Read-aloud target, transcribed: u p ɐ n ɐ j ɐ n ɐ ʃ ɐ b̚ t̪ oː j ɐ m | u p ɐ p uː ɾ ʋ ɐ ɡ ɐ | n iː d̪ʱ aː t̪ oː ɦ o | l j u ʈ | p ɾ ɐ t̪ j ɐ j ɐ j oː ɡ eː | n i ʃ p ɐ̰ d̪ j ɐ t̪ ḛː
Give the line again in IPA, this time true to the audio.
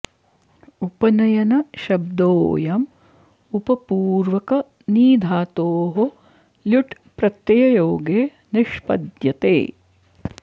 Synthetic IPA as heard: u p ɐ n ɐ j ɐ n ɐ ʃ ɐ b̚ d̪ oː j ɐ m | u p ɐ p uː ɾ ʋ ɐ k ɐ | n iː d̪ʱ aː t̪ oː ɦ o | l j u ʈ | p ɾ ɐ t̪ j ɐ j ɐ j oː ɡ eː | n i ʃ p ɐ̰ d̪ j ɐ t̪ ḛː